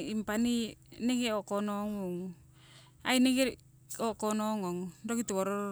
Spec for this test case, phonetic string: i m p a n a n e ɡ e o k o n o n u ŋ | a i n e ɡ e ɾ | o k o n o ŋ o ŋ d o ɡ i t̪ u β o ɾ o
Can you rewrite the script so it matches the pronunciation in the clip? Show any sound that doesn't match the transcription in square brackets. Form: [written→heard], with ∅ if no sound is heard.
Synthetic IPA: i m p a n [a→i] n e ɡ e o k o n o [n→ŋ] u ŋ | a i n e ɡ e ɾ | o k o n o ŋ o ŋ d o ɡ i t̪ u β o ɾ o